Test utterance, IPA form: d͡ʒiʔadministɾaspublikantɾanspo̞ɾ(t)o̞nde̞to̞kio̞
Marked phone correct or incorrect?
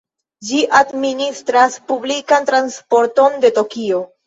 correct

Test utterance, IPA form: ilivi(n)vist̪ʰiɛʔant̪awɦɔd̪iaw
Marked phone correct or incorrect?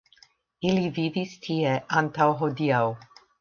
incorrect: none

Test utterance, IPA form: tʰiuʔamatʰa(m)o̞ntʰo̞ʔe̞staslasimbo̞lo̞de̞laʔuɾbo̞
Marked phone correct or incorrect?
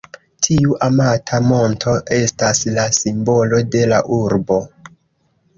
correct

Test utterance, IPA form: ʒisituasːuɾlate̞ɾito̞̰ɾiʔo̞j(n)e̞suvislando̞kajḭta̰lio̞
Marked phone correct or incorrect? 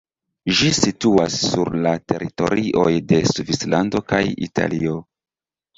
incorrect: d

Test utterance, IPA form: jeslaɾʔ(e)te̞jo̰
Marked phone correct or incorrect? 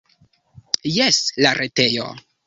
correct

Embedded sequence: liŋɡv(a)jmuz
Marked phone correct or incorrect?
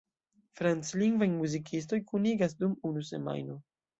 correct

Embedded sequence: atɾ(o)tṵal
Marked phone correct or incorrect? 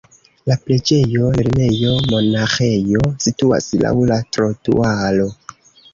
correct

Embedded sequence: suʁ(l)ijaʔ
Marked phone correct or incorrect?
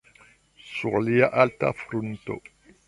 correct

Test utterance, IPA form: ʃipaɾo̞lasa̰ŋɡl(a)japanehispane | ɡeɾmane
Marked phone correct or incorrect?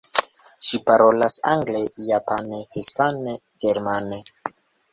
incorrect: e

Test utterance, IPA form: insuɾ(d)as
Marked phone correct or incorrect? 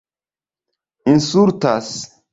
incorrect: t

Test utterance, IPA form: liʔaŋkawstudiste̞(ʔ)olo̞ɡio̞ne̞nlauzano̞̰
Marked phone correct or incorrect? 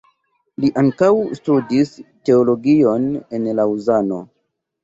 incorrect: none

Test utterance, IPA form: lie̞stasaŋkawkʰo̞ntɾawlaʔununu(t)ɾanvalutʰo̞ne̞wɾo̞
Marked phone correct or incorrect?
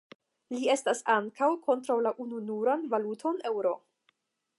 incorrect: none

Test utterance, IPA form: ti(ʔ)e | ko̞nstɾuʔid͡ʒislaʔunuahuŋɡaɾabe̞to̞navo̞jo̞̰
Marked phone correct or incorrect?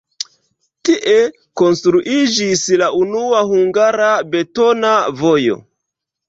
correct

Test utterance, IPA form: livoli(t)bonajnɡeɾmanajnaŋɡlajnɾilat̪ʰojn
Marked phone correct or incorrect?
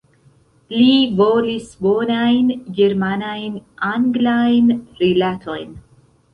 incorrect: s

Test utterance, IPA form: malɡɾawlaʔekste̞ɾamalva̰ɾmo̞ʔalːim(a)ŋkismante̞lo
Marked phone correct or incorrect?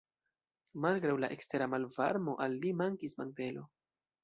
correct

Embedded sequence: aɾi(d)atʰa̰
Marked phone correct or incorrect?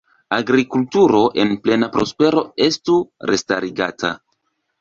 incorrect: ɡ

